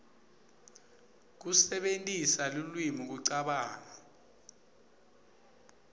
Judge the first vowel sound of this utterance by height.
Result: high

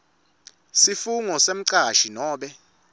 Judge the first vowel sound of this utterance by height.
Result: high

